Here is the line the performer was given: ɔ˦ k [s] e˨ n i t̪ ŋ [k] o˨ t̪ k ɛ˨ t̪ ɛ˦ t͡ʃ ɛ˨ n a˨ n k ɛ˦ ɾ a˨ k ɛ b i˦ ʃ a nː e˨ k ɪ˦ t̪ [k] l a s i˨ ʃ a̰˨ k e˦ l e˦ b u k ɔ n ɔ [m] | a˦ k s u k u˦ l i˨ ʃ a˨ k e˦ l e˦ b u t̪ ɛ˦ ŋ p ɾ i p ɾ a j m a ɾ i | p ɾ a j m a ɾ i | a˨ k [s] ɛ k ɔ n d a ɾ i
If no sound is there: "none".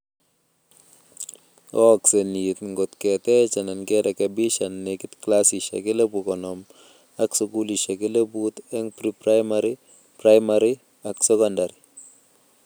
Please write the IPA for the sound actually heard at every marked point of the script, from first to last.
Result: s, ɡ, k, m, s

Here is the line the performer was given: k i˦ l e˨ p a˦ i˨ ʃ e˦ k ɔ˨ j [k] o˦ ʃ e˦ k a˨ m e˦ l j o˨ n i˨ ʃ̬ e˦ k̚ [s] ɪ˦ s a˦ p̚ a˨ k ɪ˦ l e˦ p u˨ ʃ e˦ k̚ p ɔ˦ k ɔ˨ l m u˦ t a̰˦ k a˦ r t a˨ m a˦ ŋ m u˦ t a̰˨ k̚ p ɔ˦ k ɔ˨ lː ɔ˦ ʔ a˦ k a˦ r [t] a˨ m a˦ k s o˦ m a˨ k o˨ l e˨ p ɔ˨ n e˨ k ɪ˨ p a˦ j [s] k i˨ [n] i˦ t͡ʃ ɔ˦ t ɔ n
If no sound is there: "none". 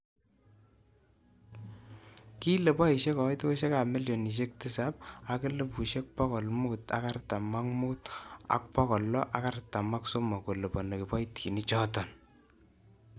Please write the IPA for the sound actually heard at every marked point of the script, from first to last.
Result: t, t, t, t, n

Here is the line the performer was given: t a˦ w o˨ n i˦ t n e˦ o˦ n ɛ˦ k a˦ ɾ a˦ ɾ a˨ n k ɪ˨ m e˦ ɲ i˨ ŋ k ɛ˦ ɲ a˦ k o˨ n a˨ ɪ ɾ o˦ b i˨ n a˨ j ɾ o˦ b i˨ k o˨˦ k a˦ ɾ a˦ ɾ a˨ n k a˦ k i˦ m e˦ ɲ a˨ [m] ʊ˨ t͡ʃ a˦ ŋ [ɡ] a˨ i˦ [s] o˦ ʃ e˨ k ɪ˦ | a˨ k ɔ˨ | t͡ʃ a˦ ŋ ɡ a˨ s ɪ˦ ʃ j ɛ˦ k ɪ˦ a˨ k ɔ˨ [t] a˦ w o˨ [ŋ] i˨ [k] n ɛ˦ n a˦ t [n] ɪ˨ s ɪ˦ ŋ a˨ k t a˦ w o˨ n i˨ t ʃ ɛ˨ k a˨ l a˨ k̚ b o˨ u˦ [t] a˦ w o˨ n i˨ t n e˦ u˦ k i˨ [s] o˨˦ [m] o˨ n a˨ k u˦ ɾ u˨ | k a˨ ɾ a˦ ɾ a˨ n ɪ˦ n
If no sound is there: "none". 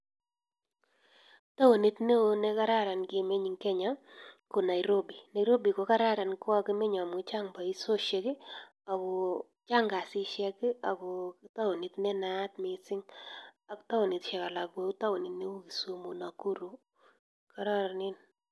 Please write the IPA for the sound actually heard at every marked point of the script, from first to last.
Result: m, b, s, t, n, t, m, t, s, m

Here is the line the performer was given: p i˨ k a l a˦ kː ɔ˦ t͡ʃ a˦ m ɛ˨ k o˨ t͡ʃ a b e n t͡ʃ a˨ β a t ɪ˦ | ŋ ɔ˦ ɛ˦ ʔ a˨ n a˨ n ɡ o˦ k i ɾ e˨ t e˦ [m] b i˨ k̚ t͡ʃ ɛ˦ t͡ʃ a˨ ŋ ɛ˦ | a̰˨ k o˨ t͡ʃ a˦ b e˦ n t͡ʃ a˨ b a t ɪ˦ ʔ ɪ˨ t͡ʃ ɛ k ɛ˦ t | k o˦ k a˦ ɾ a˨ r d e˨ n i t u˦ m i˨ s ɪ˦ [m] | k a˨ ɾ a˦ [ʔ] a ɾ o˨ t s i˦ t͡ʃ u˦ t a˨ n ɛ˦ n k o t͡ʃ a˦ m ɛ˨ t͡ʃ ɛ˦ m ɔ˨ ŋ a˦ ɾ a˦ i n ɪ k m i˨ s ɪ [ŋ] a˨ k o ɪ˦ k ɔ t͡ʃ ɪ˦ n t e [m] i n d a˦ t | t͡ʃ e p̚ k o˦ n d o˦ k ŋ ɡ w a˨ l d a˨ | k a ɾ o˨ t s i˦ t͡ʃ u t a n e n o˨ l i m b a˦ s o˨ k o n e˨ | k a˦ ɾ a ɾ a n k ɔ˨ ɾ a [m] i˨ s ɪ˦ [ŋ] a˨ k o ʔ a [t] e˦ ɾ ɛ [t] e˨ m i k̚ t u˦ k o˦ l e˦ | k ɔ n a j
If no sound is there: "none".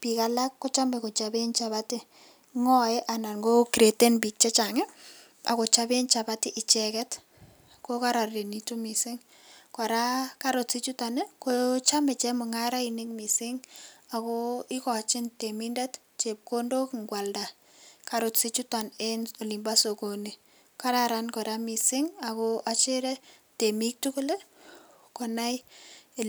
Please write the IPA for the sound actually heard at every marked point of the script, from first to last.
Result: n, ŋ, k, ŋ, m, m, ŋ, t͡ʃ, t

